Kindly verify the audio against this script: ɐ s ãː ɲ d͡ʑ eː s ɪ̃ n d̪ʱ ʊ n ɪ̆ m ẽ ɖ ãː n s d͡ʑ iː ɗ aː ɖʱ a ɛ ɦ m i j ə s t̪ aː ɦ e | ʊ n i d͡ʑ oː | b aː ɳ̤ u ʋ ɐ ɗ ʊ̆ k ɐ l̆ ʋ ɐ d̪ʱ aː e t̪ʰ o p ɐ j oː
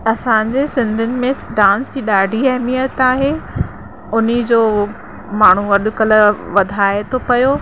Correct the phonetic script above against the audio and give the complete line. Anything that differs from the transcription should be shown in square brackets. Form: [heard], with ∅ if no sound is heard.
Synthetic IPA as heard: ɐ s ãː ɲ d͡ʑ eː s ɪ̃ n d̪ʱ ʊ n ɪ̆ m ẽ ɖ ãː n s d͡ʑ iː ɗ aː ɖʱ [i] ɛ ɦ m i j ə [∅] t̪ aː ɦ e | ʊ n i d͡ʑ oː | [m] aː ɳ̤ u ʋ ɐ ɗ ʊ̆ k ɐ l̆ ʋ ɐ d̪ʱ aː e t̪ʰ o p ɐ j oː